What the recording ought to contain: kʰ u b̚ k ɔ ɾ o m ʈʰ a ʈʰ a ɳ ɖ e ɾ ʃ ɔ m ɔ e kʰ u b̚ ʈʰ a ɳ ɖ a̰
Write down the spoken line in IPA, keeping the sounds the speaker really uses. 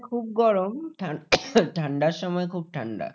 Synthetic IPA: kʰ u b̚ ɡ ɔ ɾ o m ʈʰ a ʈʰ a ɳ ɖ a ɾ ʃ ɔ m ɔ e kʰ u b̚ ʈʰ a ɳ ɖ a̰